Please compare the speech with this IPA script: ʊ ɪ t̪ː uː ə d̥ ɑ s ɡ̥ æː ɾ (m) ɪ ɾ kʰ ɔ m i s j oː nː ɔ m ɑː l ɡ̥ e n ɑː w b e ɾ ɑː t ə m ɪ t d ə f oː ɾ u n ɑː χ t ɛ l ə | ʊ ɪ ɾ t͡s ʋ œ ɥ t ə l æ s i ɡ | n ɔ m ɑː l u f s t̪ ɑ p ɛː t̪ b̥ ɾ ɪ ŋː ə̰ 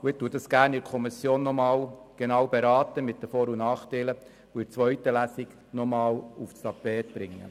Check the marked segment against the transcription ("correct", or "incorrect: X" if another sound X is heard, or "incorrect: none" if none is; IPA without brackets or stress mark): incorrect: n